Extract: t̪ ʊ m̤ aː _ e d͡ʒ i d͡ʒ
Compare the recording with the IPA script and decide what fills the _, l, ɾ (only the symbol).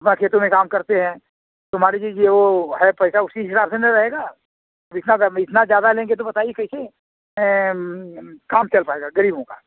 ɾ